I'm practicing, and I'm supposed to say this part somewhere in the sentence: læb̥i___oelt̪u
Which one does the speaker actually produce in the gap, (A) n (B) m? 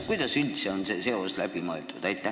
B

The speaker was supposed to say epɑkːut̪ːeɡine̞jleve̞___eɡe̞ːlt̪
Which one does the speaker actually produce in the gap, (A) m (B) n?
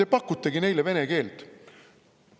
B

